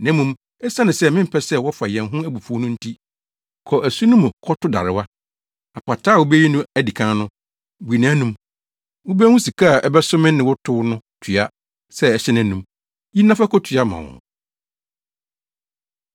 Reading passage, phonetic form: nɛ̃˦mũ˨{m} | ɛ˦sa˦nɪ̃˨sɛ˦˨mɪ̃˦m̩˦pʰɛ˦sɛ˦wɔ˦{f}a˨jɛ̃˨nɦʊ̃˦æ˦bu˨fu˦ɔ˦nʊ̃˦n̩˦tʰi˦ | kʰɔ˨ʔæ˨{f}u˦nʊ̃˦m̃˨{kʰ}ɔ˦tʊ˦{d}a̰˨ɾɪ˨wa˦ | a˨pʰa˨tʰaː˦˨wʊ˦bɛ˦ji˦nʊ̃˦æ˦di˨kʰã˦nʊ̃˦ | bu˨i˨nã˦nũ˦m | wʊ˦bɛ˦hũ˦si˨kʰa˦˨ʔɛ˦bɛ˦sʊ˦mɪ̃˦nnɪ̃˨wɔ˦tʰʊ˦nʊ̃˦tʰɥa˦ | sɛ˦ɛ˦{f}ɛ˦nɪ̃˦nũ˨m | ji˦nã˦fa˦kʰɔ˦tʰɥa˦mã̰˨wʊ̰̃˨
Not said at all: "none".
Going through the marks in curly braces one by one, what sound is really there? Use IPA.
m, f, s, kʰ, d, ɕ

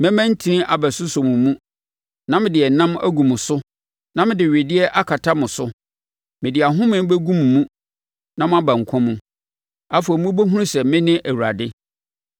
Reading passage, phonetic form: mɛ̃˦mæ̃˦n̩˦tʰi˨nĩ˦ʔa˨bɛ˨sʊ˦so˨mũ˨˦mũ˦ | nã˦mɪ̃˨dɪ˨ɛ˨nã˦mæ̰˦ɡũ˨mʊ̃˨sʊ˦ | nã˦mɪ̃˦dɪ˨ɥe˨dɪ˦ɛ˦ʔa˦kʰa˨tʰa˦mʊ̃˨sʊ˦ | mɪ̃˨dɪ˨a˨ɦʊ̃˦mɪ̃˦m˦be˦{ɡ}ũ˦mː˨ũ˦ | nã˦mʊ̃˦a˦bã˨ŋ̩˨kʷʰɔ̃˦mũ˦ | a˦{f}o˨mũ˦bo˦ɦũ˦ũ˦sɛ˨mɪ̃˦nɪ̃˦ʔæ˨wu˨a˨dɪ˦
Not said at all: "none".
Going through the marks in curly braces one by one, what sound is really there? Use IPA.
ɡ, f

